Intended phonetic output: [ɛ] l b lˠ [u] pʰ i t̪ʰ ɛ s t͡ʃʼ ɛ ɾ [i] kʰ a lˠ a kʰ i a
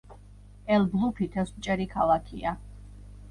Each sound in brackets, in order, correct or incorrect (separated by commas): correct, correct, correct